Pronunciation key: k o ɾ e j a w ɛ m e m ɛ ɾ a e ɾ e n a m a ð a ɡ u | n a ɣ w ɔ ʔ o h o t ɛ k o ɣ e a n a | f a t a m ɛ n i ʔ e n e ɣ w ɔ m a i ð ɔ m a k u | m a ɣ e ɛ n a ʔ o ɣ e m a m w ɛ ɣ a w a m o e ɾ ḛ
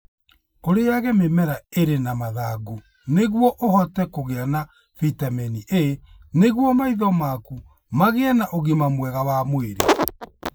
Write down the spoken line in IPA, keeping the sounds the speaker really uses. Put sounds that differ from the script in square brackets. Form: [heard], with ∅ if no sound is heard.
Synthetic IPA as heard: k o ɾ e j a [ɣ] ɛ m e m ɛ ɾ a e ɾ e n a m a ð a ɡ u | n [e] ɣ w ɔ ʔ o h [ɔ] t ɛ k o ɣ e a n a | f [i] t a m ɛ n i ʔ e n e ɣ w ɔ m a i ð ɔ m a k u | m a ɣ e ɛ n a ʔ o ɣ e m a m w ɛ ɣ a w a m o e ɾ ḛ